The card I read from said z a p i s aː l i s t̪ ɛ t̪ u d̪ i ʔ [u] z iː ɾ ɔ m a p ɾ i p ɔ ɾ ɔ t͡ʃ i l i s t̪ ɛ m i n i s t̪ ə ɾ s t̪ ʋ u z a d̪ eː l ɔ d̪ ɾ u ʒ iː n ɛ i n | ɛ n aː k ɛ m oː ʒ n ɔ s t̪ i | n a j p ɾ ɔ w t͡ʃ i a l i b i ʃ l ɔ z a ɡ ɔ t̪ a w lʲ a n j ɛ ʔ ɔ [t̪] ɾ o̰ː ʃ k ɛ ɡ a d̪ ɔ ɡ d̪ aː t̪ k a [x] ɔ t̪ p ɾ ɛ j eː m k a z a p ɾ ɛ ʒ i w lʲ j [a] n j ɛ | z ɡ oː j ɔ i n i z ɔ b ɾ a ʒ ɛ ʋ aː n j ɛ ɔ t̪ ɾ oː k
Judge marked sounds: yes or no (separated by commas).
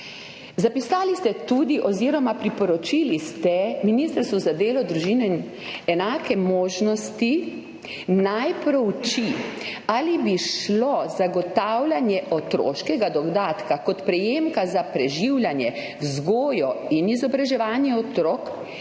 no, yes, no, yes